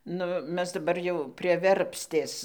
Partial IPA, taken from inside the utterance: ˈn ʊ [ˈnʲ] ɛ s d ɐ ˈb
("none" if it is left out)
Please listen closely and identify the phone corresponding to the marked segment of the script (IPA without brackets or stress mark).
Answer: mʲ